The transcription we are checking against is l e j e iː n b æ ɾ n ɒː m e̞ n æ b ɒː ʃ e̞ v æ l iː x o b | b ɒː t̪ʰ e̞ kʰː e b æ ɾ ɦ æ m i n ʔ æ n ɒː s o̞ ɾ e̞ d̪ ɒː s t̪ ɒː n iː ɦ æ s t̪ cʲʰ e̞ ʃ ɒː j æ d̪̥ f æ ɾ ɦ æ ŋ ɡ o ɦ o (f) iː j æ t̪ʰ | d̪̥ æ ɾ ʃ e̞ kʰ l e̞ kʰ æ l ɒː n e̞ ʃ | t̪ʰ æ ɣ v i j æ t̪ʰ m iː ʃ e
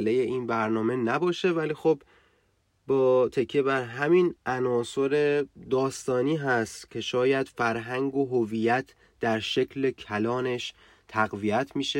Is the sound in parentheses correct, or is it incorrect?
incorrect